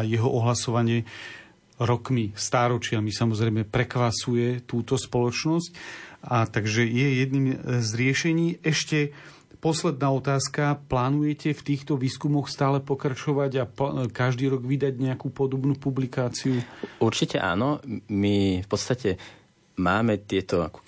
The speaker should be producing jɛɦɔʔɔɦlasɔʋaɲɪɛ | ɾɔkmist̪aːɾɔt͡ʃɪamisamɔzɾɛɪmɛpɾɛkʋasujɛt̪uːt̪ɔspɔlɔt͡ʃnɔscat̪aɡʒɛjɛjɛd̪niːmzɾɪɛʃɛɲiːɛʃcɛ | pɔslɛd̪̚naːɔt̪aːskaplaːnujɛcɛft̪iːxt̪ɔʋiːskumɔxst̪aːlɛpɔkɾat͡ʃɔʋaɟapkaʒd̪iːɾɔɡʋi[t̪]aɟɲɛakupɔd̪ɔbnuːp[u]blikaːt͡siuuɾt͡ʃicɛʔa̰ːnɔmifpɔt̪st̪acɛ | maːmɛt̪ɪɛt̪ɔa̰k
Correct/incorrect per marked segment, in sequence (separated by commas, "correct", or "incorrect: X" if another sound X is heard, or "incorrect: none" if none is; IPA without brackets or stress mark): incorrect: d̪, correct